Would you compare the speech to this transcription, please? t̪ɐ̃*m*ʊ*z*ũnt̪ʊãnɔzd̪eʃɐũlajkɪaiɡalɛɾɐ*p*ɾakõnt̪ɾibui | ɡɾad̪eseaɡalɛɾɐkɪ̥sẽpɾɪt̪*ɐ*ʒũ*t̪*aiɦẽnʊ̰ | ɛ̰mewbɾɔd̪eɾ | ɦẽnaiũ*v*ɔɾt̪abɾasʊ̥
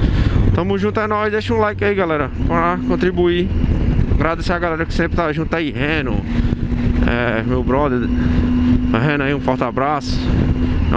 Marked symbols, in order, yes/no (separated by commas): yes, no, yes, no, yes, no